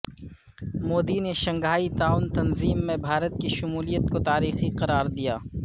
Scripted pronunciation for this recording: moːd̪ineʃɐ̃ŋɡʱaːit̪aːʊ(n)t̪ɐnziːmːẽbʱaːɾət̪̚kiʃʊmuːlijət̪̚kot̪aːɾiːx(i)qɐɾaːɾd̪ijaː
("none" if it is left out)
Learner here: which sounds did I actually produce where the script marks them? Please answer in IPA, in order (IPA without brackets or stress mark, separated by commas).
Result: n, i